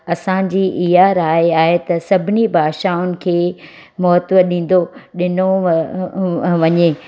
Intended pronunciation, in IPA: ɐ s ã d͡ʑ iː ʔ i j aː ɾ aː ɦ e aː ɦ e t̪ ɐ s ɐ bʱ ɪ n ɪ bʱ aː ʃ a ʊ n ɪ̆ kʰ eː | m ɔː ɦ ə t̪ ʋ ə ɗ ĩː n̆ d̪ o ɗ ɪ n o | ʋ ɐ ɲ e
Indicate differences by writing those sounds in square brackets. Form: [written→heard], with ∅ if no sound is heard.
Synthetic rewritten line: ɐ s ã d͡ʑ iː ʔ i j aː ɾ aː ɦ e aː ɦ e t̪ ɐ s ɐ bʱ ɪ n [ɪ→i] bʱ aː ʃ a ʊ n ɪ̆ kʰ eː | m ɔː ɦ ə t̪ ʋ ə ɗ ĩː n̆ d̪ o ɗ ɪ n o | ʋ ɐ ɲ e